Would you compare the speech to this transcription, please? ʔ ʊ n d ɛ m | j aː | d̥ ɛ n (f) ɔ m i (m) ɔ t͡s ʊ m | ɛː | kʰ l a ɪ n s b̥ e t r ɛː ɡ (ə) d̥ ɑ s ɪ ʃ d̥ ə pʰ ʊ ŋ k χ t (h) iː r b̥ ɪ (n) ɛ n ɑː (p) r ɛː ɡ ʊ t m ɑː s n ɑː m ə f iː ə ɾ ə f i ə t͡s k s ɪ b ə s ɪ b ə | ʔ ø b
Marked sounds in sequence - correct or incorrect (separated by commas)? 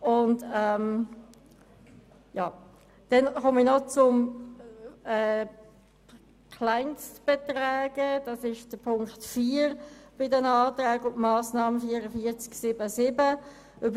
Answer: incorrect, incorrect, correct, incorrect, incorrect, incorrect